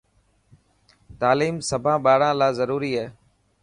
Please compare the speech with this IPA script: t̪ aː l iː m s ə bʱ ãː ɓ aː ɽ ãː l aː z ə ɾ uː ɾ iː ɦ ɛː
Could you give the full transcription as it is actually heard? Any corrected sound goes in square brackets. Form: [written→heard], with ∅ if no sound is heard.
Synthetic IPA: t̪ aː l iː m s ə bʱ ãː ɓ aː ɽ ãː l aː z ə ɾ uː ɾ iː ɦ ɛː